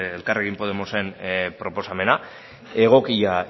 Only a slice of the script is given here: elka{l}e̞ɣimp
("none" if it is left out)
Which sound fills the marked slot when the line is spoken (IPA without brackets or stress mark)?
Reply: r